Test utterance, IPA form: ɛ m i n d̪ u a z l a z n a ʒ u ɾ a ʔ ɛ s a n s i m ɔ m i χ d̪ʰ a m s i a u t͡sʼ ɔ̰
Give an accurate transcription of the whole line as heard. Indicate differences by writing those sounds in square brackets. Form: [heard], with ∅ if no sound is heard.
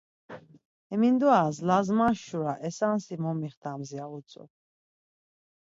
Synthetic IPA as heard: ɛ m i n d̪ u a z l a z [m] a [ʃ] u ɾ a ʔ ɛ s a n s i m ɔ m i χ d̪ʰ a m [z] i a u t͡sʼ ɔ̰

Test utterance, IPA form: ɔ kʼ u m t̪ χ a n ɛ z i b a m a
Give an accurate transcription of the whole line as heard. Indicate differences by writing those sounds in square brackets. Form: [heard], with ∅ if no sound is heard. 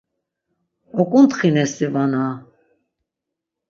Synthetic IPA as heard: ɔ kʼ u [n] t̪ χ [i] n ɛ [s] i [v] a [n] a

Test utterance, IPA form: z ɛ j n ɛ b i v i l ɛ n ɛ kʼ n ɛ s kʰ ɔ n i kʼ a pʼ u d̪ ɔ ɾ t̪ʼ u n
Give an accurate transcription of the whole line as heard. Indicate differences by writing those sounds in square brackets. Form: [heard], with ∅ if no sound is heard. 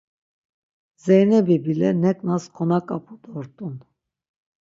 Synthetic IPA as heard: z ɛ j n ɛ b i [b] i l ɛ n ɛ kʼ n [a] s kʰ ɔ n [a] kʼ a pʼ u d̪ ɔ ɾ t̪ʼ u n

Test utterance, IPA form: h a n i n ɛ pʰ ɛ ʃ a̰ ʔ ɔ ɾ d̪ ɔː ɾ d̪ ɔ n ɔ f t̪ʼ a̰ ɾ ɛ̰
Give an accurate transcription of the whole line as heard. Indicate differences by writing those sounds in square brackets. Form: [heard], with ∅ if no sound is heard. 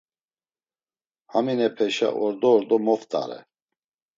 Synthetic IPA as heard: h a [m] i n ɛ pʰ ɛ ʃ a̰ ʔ ɔ ɾ d̪ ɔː ɾ d̪ ɔ [m] ɔ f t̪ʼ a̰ ɾ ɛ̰

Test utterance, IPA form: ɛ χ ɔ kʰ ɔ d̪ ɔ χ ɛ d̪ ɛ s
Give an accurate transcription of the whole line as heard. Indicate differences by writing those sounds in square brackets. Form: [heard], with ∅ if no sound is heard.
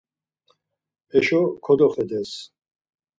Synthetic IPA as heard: ɛ [ʃ] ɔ kʰ ɔ d̪ ɔ χ ɛ d̪ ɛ s

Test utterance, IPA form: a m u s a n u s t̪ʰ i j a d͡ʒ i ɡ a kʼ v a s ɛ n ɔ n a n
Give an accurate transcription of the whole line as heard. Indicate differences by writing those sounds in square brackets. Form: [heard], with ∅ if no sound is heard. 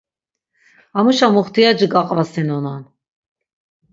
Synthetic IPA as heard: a m u [ʃ] a [m] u [χ] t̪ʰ i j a d͡ʒ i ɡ a [qʼ] v a s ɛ n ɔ n a n

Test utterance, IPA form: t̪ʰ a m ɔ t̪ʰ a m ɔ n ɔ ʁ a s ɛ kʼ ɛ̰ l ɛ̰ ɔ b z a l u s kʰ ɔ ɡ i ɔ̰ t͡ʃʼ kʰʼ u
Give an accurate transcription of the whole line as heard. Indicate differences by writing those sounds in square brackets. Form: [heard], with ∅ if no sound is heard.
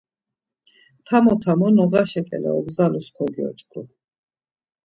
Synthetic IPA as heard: t̪ʰ a m ɔ t̪ʰ a m ɔ n ɔ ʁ a [ʃ] ɛ kʼ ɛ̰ l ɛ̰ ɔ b z a l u s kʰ ɔ ɡ i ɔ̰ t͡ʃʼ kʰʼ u

